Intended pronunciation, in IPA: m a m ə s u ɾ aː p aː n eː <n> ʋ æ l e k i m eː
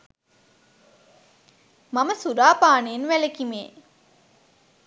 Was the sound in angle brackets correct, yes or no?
yes